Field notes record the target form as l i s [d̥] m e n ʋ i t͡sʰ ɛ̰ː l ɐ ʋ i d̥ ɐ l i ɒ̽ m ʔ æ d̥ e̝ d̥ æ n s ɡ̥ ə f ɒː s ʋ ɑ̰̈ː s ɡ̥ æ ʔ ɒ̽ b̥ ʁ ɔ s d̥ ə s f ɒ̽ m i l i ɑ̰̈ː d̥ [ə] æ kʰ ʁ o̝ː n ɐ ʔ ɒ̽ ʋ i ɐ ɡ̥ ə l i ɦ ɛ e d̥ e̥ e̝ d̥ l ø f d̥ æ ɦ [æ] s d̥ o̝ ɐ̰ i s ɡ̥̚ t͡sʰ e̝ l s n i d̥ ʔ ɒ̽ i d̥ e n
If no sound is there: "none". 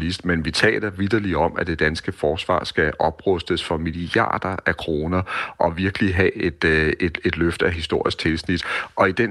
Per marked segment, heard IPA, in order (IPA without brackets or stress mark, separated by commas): d̥, ɐ, i